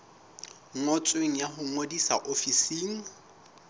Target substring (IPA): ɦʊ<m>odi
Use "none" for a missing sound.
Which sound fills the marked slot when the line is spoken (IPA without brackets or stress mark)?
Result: ŋ